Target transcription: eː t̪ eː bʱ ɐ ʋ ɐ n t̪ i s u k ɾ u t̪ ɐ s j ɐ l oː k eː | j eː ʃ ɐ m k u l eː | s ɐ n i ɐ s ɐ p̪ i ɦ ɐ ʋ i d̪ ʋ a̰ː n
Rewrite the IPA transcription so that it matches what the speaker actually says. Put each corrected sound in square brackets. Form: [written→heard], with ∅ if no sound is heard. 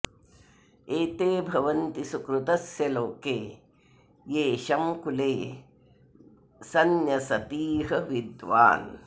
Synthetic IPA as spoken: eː t̪ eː bʱ ɐ ʋ ɐ n t̪ i s u k ɾ u t̪ ɐ s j ɐ l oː k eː | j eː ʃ ɐ m k u l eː | s ɐ n [i→j] ɐ s ɐ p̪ [i→iː] ɦ ɐ ʋ i d̪ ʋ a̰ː n